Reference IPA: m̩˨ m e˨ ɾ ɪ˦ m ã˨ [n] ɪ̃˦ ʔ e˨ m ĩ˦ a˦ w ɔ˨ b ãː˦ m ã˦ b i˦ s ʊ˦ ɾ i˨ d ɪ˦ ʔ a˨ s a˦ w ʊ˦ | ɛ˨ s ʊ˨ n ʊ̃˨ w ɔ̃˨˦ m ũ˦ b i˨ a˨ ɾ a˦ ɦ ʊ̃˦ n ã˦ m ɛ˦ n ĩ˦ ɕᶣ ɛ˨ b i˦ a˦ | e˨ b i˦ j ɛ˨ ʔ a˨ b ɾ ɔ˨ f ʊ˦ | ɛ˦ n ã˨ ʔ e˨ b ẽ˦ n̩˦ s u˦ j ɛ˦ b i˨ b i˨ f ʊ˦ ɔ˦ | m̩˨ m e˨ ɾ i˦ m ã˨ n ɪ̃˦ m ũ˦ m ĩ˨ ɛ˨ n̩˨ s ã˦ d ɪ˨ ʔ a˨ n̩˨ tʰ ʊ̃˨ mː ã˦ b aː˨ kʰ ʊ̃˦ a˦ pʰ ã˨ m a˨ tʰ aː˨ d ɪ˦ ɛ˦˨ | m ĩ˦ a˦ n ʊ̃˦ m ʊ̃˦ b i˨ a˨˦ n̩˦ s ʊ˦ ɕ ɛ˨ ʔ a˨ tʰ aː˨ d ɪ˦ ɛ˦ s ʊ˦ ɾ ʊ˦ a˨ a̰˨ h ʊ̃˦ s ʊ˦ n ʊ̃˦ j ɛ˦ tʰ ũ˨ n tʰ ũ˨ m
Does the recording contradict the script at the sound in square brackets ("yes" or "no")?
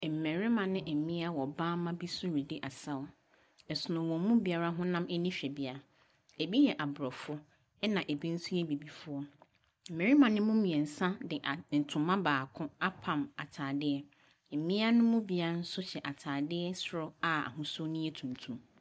no